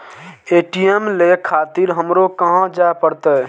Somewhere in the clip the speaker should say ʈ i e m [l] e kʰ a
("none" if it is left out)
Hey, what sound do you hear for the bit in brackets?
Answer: l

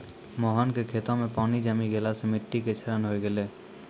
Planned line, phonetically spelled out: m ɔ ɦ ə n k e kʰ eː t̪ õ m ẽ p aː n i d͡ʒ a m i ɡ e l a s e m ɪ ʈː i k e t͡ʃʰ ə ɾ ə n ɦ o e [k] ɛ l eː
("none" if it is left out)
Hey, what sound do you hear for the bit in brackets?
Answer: ɡ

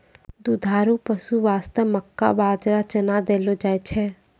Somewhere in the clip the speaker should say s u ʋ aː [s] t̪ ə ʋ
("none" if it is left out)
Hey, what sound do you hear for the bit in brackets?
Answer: s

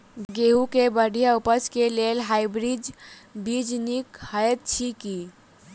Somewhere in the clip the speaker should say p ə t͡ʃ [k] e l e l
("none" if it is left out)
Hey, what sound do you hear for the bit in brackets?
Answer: k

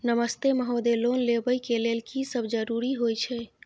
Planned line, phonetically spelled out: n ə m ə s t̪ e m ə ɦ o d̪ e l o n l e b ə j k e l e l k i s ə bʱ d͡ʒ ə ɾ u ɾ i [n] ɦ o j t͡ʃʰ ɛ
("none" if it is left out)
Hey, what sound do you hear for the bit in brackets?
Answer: none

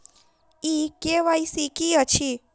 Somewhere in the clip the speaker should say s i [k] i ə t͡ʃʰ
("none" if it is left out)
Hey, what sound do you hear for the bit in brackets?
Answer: k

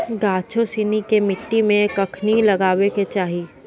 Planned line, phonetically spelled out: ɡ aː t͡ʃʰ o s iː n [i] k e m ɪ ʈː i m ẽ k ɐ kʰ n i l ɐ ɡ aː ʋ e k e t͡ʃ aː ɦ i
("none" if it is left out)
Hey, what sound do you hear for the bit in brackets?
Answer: i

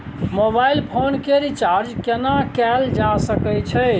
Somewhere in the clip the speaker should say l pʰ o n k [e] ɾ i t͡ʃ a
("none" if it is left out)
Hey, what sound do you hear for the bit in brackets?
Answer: e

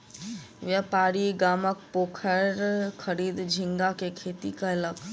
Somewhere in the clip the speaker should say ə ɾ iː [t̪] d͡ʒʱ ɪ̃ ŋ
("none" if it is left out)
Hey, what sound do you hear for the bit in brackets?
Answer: d̪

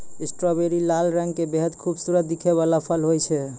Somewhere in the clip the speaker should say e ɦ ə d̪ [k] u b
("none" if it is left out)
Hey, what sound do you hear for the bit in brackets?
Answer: kʰ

